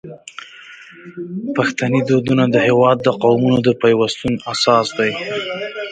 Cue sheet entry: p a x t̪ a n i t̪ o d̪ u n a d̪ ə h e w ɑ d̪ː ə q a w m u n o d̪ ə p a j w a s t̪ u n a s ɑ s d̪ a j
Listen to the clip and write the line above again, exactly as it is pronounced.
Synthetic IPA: p a x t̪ a n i d̪ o d̪ u n a d̪ ə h e w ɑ d̪ː ə q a w m u n o d̪ ə p a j w a s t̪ u n a s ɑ s d̪ a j